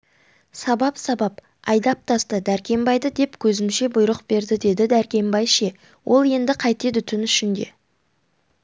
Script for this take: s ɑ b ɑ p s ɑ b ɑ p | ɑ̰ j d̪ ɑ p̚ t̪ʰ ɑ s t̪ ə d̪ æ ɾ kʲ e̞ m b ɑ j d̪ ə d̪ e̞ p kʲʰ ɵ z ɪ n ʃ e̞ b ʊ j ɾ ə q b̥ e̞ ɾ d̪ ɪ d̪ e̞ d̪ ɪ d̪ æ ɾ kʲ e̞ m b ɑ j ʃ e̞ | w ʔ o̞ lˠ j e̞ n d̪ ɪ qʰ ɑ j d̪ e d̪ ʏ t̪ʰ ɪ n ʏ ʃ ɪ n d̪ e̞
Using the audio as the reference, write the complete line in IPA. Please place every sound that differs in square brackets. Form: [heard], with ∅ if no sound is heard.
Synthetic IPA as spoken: s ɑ b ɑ p s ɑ b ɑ p | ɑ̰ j d̪ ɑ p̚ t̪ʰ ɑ s t̪ ə d̪ æ ɾ kʲ e̞ m b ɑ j d̪ ə d̪ e̞ p kʲʰ ɵ z ɪ [m] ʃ e̞ b ʊ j ɾ ə q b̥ e̞ ɾ d̪ ɪ d̪ e̞ d̪ ɪ d̪ æ ɾ kʲ e̞ m b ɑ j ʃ e̞ | w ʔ o̞ lˠ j e̞ n d̪ ɪ qʰ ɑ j [t̪] e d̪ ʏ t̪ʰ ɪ n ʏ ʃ ɪ n d̪ e̞